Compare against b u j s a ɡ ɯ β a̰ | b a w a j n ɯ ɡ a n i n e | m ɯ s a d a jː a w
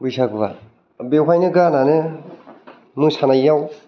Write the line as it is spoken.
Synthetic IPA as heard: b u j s a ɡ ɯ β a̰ | b e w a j n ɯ ɡ a n a n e | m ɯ s a n a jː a w